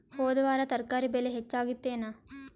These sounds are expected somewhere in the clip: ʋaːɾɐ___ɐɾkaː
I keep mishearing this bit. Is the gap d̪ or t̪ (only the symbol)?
t̪